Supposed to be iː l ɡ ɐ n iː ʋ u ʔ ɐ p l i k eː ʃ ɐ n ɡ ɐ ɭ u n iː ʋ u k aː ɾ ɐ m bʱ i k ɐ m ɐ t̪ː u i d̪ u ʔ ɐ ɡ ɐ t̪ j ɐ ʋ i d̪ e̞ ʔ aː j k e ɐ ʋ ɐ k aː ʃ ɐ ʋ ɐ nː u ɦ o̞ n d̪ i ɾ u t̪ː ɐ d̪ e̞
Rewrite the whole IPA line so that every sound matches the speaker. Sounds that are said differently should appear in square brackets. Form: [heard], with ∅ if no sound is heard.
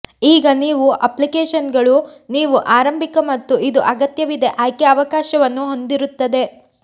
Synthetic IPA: iː [∅] ɡ ɐ n iː ʋ u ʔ ɐ p l i k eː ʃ ɐ n ɡ ɐ ɭ u n iː ʋ u [ʔ] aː ɾ ɐ m bʱ i k ɐ m ɐ t̪ː u i d̪ u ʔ ɐ ɡ ɐ t̪ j ɐ ʋ i d̪ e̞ ʔ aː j k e ɐ ʋ ɐ k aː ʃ ɐ ʋ ɐ nː u ɦ o̞ n d̪ i ɾ u t̪ː ɐ d̪ e̞

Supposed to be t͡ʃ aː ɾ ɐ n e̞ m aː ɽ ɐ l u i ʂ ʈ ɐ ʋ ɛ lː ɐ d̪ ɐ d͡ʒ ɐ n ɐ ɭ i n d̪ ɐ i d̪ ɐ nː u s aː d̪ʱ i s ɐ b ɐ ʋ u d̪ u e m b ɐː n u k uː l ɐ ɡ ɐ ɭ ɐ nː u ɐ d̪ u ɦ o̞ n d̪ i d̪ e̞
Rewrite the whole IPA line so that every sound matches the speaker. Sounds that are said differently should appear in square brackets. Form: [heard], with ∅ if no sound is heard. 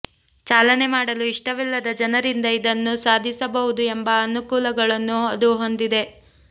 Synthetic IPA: t͡ʃ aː [l] ɐ n e̞ m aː ɽ ɐ l u i ʂ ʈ ɐ ʋ [i] lː ɐ d̪ ɐ d͡ʒ ɐ n ɐ [ɾ] i n d̪ ɐ i d̪ ɐ nː u s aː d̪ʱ i s ɐ b ɐ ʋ u d̪ u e m b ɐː n u k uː l ɐ ɡ ɐ ɭ ɐ nː u ɐ d̪ u ɦ o̞ n d̪ i d̪ e̞

